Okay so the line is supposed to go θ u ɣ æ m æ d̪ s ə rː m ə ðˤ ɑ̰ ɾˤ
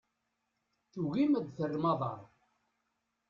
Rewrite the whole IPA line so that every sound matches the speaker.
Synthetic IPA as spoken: θ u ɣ i m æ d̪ θ ə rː m ɑ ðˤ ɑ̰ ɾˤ